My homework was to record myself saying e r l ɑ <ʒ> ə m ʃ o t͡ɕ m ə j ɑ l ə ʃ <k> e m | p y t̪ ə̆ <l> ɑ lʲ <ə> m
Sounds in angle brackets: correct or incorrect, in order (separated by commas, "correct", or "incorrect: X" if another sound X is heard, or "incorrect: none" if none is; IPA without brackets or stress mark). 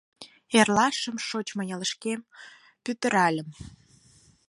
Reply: incorrect: ʃ, correct, incorrect: ɾ, correct